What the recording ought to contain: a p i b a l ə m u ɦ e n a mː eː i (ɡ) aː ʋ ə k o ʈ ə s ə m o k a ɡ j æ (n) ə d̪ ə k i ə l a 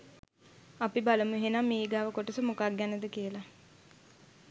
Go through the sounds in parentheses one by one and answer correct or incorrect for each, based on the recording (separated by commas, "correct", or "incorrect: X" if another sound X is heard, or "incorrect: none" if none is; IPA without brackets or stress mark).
correct, correct